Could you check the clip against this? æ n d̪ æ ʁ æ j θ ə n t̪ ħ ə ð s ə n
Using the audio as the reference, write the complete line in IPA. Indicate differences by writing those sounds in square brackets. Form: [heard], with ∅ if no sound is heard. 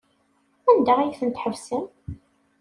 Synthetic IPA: æ n d̪ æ ʁ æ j θ ə n t̪ ħ ə [v] s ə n